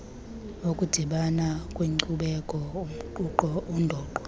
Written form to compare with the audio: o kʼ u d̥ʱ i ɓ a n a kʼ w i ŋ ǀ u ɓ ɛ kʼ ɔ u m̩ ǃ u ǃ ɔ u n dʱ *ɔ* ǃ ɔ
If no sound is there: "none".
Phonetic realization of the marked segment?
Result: ɔː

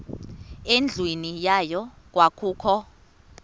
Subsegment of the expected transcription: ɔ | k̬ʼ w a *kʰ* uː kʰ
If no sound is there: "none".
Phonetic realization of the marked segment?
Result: kʰ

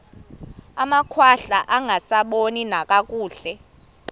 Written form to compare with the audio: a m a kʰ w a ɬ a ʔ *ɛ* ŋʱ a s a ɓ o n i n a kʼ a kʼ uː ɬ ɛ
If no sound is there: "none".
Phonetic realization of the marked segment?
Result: a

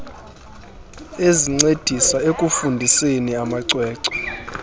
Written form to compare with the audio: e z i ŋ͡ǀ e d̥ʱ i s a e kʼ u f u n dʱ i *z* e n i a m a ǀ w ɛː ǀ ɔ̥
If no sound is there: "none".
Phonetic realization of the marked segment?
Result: s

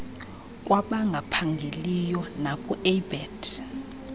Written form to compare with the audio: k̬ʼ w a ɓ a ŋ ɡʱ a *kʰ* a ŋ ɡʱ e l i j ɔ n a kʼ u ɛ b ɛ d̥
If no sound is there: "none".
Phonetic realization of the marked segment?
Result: pʰ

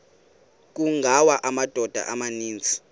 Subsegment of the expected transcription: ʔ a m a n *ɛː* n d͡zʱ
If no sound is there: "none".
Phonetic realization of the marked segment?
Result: iː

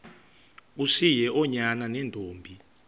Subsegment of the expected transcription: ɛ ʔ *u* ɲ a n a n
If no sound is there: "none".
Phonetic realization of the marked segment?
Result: ɔ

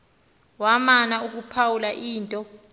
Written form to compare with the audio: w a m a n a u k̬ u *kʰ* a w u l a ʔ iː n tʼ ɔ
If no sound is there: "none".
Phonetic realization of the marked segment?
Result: pʰ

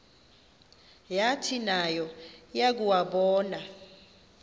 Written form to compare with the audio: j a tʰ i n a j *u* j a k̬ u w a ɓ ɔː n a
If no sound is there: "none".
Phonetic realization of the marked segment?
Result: ɔ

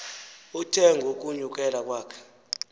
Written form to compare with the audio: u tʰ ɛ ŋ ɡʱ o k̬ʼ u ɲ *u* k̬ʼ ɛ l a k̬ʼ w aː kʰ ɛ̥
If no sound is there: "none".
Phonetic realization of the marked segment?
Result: u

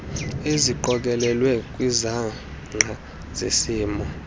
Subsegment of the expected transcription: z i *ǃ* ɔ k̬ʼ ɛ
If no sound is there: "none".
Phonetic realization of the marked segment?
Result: ǃ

